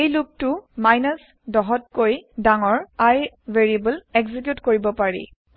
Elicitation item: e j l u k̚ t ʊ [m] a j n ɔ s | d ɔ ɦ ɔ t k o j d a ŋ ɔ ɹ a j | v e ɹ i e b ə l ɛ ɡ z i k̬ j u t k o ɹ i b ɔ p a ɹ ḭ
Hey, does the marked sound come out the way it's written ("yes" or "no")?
yes